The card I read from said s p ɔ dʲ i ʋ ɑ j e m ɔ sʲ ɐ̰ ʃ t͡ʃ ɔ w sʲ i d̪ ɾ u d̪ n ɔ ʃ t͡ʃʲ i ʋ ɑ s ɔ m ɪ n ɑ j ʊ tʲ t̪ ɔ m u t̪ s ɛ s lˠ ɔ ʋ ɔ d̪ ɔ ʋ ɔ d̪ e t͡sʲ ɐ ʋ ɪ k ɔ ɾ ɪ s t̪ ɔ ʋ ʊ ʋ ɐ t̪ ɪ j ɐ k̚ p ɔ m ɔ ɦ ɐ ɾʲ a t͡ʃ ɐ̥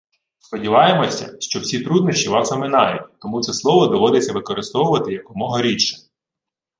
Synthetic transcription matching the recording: s p ɔ dʲ i ʋ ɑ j e m ɔ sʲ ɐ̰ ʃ t͡ʃ ɔ w sʲ i t̪ ɾ u d̪ n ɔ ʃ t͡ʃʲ i ʋ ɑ s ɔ m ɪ n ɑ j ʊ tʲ t̪ ɔ m u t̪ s ɛ s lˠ ɔ ʋ ɔ d̪ ɔ ʋ ɔ d̪ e t͡sʲ ɐ ʋ ɪ k ɔ ɾ ɪ s t̪ ɔ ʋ ʊ ʋ ɐ t̪ ɪ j ɐ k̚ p ɔ m ɔ ɦ ɐ ɾʲ i t͡ʃ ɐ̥